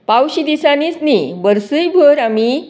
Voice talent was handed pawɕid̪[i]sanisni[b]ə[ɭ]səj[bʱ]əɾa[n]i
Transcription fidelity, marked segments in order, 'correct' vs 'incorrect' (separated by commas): correct, correct, incorrect, correct, incorrect